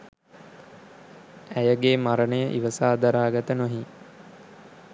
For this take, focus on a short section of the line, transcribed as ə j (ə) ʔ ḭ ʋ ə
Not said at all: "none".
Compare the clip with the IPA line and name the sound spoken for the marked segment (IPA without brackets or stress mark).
ə